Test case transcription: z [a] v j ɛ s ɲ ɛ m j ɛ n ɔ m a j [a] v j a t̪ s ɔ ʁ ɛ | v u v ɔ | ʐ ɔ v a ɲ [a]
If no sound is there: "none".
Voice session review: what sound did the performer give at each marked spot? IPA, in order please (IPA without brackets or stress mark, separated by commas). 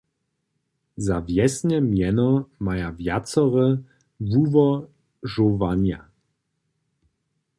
a, a, a